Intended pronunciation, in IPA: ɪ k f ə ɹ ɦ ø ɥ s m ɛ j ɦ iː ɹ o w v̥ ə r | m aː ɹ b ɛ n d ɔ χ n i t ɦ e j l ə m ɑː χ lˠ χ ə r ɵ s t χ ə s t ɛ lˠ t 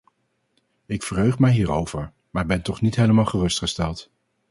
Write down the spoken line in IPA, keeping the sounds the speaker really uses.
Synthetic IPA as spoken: ɪ k f ə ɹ ɦ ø ɥ χ m ɛ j ɦ iː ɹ o w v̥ ə ɹ | m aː ɹ b ɛ n t ɔ χ n i t ɦ e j l ə m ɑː lˠ χ ə r ɵ s t χ ə s t ɛ lˠ t